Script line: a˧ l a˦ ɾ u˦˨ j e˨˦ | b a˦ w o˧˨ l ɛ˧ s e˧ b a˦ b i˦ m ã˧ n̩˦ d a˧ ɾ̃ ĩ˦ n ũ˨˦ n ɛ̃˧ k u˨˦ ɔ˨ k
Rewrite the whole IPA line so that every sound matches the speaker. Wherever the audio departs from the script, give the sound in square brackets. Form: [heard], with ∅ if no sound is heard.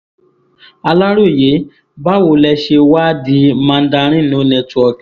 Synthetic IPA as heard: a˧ l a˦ ɾ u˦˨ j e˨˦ | b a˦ w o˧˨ l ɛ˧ [ʃ] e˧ [w] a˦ [d] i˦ m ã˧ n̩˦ d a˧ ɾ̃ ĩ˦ n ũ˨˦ n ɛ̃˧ [t] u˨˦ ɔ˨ k